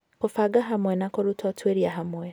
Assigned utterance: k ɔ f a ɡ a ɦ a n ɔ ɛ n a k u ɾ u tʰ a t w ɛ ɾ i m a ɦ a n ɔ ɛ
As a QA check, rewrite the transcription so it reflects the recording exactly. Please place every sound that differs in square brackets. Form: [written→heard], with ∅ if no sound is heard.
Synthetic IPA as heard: k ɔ f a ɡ a ɦ a [n→m] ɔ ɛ n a k [u→ɔ] ɾ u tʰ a t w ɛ ɾ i [m→∅] a ɦ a [n→m] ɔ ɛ